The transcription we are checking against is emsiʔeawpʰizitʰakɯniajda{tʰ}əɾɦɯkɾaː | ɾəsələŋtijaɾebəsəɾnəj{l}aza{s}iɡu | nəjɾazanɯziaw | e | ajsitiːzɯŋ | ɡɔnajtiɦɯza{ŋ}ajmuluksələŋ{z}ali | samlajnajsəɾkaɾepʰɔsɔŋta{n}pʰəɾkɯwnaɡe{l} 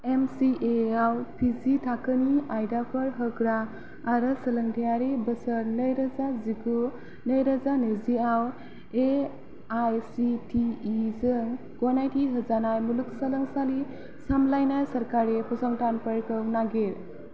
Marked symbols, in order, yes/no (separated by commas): no, no, no, no, no, yes, no